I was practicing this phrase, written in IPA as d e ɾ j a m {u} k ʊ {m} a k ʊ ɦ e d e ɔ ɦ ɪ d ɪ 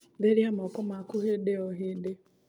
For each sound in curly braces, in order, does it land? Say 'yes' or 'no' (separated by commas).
no, yes